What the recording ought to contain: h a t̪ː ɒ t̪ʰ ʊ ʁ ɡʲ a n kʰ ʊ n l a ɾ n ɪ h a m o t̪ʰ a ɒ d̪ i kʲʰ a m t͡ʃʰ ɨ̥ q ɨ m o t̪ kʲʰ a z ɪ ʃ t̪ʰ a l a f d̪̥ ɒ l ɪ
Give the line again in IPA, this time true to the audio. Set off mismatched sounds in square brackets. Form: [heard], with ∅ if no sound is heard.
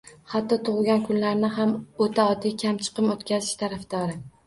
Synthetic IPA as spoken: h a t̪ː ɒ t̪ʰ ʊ ʁ ɡʲ a n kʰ ʊ n l a ɾ n ɪ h a m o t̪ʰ a ɒ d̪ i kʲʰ a m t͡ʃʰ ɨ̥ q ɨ m o t̪ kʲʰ a z ɪ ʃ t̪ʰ a [ɾ] a f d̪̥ ɒ [ɾ] ɪ